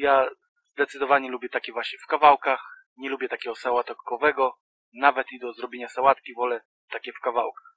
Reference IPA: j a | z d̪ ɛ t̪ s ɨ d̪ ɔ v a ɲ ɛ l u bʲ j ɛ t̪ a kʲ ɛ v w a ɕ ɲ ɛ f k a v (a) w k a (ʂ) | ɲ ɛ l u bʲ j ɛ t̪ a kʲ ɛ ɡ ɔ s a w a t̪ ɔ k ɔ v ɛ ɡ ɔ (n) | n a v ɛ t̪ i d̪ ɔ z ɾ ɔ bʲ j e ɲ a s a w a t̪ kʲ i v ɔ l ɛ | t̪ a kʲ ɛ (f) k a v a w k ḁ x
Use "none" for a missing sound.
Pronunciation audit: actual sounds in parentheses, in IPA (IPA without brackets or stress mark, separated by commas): a, x, none, f